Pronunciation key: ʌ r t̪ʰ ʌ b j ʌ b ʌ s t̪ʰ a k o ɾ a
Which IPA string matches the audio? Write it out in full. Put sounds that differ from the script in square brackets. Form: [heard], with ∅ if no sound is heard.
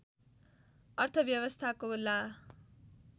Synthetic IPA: ʌ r t̪ʰ ʌ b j ʌ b ʌ s t̪ʰ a k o [l] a